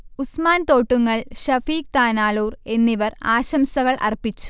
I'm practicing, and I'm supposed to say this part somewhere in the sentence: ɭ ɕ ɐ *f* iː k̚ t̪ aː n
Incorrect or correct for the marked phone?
correct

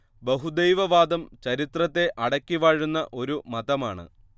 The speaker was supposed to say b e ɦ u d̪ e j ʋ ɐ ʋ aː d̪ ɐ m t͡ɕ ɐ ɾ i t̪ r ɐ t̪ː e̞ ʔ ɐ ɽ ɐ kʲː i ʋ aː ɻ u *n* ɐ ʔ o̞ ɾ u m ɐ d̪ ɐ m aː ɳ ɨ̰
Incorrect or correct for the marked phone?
incorrect: nː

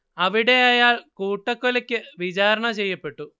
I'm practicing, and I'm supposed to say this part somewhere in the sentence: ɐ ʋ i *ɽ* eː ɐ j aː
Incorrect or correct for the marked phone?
correct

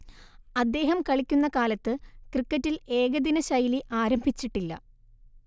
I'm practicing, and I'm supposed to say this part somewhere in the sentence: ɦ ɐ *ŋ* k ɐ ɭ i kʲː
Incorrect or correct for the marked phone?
incorrect: m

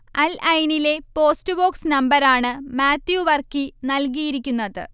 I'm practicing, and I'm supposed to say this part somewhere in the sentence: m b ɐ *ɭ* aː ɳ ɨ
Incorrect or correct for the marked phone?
incorrect: ɾ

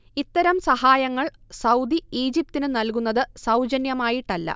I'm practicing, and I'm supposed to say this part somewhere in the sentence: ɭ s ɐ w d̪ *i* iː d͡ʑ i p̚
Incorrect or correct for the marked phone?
correct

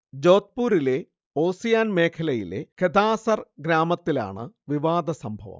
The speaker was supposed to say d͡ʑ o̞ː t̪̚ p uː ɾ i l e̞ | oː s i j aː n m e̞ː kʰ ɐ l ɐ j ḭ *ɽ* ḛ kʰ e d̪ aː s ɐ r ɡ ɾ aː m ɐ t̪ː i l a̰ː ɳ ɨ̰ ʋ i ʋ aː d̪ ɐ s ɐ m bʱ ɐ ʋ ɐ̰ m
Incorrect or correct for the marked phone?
incorrect: l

